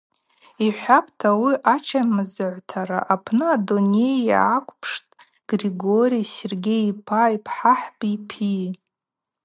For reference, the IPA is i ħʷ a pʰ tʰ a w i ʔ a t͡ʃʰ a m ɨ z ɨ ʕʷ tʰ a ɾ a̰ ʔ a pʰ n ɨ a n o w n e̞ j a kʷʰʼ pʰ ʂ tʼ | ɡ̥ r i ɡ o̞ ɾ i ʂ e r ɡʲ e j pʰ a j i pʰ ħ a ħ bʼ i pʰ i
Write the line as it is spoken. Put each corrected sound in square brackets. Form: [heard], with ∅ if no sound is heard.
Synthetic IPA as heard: i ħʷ a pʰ tʰ a w i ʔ a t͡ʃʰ a m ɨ z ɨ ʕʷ tʰ a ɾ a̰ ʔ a pʰ n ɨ a [d] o [∅] n e̞ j a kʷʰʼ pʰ ʂ tʼ | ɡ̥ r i ɡ o̞ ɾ i [s] e r ɡʲ e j pʰ a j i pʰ ħ a ħ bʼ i pʰ i